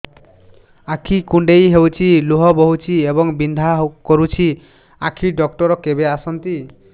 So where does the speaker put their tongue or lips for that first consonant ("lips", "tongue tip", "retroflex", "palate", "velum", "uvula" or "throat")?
velum